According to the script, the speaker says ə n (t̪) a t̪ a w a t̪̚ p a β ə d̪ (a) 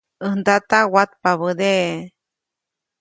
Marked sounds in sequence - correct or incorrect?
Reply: incorrect: d̪, incorrect: e

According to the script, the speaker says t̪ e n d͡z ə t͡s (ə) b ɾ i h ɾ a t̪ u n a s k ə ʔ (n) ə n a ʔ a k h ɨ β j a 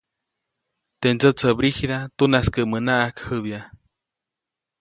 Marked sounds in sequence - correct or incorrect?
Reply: correct, incorrect: m

